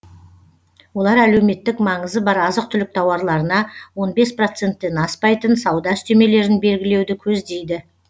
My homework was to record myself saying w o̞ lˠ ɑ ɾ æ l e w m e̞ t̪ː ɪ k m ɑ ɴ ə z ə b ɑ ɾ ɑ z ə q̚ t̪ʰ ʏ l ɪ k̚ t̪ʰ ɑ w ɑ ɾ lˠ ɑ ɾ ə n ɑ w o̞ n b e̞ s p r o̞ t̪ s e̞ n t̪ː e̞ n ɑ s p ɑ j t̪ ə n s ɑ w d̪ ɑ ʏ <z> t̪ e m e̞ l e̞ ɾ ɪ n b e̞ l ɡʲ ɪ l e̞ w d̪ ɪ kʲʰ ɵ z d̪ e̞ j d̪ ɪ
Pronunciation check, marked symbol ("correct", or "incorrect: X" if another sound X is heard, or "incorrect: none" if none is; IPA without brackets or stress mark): incorrect: s